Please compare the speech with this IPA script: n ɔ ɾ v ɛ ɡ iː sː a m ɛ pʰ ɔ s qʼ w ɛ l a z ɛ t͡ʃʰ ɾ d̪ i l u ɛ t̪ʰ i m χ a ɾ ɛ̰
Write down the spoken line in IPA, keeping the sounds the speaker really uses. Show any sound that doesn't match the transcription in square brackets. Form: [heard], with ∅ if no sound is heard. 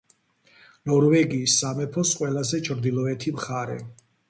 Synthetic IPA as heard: n ɔ ɾ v ɛ ɡ iː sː a m ɛ pʰ ɔ s qʼ w ɛ l a z ɛ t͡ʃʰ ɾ d̪ i l [ɔ] ɛ t̪ʰ i m χ a ɾ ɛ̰